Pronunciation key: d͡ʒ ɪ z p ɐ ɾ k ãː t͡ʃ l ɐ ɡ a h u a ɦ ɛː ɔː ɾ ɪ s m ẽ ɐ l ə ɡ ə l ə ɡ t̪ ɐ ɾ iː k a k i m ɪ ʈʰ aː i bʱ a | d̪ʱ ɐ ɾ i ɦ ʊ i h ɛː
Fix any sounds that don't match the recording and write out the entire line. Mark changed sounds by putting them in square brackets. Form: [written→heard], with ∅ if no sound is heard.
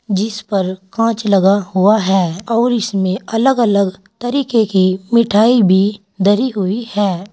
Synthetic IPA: d͡ʒ ɪ [z→s] p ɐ ɾ k ãː t͡ʃ l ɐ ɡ a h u a ɦ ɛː ɔː ɾ ɪ s m ẽ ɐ l ə ɡ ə l ə ɡ t̪ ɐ ɾ iː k [a→e] k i m ɪ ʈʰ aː i bʱ [a→i] | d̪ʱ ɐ ɾ i ɦ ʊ i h ɛː

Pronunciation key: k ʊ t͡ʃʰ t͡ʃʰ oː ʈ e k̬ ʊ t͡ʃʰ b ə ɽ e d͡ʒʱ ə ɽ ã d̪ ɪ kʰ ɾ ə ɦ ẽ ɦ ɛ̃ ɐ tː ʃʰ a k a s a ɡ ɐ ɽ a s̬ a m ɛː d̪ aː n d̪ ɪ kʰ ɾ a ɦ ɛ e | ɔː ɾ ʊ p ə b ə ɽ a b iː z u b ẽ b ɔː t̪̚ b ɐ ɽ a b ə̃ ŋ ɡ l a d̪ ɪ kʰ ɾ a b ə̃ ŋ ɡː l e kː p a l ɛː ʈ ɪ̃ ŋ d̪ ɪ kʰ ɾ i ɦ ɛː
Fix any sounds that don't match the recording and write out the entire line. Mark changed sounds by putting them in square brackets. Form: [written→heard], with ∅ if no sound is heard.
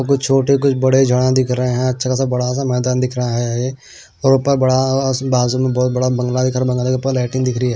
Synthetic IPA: k ʊ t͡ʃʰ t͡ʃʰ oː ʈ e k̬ ʊ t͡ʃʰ b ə ɽ e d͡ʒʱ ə ɽ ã d̪ ɪ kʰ ɾ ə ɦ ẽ ɦ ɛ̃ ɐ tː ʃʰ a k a s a [ɡ→b] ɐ ɽ a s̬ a m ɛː d̪ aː n d̪ ɪ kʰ ɾ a ɦ ɛ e | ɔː ɾ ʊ p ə b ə ɽ a b [iː→aː] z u [b→m] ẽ b ɔː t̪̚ b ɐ ɽ a b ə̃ ŋ ɡ l a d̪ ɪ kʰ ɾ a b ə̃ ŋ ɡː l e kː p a l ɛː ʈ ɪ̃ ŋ d̪ ɪ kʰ ɾ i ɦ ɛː

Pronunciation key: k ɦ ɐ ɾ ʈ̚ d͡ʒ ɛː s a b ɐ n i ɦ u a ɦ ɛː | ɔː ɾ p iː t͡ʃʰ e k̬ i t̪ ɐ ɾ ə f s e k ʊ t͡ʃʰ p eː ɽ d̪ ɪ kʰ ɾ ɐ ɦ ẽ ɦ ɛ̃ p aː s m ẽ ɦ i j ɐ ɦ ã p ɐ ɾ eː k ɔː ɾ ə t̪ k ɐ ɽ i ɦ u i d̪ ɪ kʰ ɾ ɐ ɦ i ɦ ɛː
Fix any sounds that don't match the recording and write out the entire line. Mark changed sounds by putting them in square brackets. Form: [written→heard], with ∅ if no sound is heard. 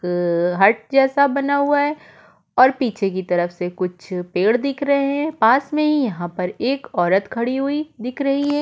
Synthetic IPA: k ɦ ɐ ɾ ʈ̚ d͡ʒ ɛː s a b ɐ n [i→a] ɦ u a ɦ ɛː | ɔː ɾ p iː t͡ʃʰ e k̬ i t̪ ɐ ɾ ə f s e k ʊ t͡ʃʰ p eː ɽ d̪ ɪ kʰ ɾ ɐ ɦ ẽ ɦ ɛ̃ p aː s m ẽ ɦ i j ɐ ɦ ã p ɐ ɾ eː k ɔː ɾ ə t̪ [k→kʰ] ɐ ɽ i ɦ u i d̪ ɪ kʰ ɾ ɐ ɦ i ɦ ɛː

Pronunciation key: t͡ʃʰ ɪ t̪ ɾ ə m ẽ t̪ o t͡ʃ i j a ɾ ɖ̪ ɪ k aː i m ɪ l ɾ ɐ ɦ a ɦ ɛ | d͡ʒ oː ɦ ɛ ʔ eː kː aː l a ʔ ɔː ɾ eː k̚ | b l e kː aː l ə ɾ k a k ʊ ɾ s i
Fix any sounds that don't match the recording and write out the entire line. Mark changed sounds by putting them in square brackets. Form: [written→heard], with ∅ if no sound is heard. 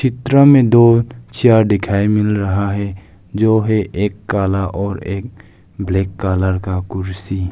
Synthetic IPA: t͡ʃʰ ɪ t̪ ɾ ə m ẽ [t̪→d̪] o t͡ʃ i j a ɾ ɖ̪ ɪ [k→kʰ] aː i m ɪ l ɾ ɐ ɦ a ɦ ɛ | d͡ʒ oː ɦ ɛ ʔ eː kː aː l a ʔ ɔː ɾ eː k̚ | b l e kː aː l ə ɾ k a k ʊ ɾ s i

